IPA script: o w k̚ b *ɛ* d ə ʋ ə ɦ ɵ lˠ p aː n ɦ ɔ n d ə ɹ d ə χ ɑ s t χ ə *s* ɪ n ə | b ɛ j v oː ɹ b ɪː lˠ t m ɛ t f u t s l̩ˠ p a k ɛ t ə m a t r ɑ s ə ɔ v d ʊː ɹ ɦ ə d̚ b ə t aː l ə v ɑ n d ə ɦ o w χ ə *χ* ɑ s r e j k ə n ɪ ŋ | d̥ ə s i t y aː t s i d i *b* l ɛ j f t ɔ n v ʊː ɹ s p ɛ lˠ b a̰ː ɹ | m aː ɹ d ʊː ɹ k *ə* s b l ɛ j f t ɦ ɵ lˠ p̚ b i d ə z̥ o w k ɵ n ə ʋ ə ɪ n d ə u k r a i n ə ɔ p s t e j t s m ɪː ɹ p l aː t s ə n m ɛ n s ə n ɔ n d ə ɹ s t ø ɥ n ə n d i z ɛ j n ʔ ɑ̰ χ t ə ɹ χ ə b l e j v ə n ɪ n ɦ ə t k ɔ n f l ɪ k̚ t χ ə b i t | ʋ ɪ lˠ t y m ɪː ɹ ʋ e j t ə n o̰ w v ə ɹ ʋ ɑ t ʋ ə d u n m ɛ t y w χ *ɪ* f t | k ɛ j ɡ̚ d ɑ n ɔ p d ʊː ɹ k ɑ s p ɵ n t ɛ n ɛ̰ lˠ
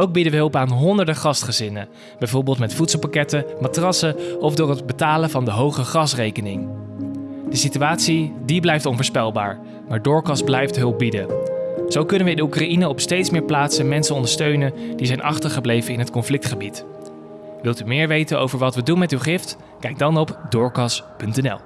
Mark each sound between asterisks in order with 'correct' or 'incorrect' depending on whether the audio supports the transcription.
incorrect: i, incorrect: z, correct, correct, incorrect: ɑ, correct

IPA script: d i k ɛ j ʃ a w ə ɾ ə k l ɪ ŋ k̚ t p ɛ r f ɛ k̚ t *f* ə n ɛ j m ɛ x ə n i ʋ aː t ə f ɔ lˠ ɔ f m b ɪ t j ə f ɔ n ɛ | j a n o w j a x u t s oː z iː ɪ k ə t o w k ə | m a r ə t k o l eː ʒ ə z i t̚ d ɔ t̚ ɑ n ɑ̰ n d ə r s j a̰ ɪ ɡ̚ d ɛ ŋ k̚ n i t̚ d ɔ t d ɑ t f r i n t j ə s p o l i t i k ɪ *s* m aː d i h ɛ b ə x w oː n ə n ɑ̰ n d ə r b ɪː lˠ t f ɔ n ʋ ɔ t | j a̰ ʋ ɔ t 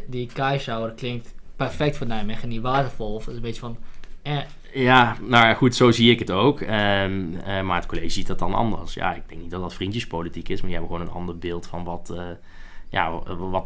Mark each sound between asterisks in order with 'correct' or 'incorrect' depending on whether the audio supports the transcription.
correct, correct

